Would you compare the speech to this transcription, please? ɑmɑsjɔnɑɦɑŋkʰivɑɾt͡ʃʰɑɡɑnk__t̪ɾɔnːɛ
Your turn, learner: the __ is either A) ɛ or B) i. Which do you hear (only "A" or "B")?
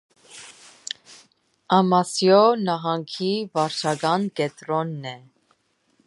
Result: A